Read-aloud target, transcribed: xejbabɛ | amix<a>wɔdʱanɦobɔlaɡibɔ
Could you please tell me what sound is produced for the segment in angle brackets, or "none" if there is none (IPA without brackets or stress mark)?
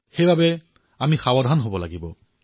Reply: a